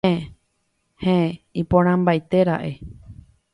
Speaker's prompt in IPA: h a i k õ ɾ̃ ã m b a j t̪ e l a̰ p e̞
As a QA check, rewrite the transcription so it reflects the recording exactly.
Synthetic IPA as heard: h e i p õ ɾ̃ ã m b a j t̪ e ɾ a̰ ʔ e̞